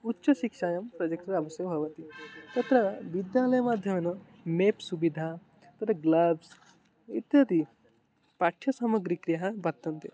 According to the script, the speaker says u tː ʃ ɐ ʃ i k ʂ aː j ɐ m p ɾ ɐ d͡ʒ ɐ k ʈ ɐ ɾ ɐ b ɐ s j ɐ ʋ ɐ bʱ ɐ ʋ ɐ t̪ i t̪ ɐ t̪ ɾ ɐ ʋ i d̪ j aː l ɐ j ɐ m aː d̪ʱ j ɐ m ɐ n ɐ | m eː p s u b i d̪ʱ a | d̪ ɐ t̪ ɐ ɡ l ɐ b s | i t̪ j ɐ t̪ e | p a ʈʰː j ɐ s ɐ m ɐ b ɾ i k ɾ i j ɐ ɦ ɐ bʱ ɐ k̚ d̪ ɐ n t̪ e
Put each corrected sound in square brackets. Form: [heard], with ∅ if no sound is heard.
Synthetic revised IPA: u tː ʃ ɐ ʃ i k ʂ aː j ɐ m p ɾ ɐ d͡ʒ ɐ k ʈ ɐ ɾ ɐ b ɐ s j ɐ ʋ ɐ bʱ ɐ ʋ ɐ t̪ i t̪ ɐ t̪ ɾ ɐ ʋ i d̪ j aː l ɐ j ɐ m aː d̪ʱ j ɐ m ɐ n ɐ | m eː p s u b i d̪ʱ a | [t̪] ɐ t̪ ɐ ɡ l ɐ b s | i t̪ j ɐ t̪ [i] | p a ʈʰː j ɐ s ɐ m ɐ [ɡ] ɾ i k ɾ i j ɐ ɦ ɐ bʱ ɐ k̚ [t̪] ɐ n t̪ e